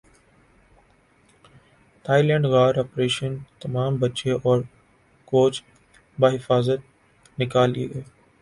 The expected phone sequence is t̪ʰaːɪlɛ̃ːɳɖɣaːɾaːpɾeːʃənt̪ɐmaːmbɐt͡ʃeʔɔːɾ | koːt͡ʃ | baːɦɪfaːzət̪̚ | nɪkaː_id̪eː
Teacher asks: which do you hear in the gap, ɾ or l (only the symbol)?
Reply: l